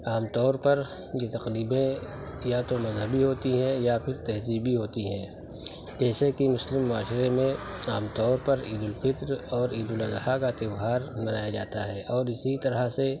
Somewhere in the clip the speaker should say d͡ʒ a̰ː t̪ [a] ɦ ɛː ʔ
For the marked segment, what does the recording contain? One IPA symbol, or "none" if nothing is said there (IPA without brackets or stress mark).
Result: a